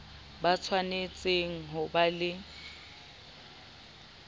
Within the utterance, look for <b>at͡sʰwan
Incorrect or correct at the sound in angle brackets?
correct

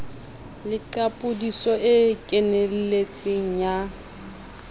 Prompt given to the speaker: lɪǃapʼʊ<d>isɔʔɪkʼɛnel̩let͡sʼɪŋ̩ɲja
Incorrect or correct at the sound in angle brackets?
correct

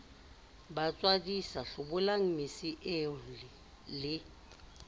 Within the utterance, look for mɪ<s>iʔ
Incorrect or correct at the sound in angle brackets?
correct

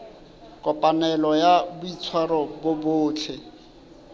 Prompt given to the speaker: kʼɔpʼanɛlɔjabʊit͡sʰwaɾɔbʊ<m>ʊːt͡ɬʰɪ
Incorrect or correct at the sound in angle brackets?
incorrect: b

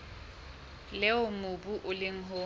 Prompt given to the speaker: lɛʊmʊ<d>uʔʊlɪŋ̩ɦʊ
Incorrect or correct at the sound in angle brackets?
incorrect: b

